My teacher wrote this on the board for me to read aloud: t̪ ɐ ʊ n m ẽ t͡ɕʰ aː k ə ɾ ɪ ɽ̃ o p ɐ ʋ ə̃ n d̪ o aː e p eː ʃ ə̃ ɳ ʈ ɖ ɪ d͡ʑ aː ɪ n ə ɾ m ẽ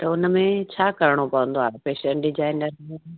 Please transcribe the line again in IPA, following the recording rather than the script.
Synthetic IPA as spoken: t̪ ɐ ʊ n m ẽ t͡ɕʰ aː k ɐ ɾ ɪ ɽ̃ o p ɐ ʋ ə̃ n d̪ o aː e p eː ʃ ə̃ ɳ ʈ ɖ ɪ d͡ʑ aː ɪ n ə ɾ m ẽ